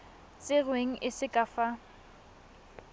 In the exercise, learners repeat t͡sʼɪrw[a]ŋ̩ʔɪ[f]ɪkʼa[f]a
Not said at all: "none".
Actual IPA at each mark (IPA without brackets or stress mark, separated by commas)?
e, s, f